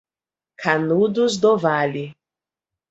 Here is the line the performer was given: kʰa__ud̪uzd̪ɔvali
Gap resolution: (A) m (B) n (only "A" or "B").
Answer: B